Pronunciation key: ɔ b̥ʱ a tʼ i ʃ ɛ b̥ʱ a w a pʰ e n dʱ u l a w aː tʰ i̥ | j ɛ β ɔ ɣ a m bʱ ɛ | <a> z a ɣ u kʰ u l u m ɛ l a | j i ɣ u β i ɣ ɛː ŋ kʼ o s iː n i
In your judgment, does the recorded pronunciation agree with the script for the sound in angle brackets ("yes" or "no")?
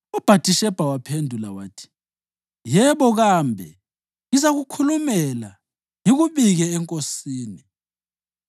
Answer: no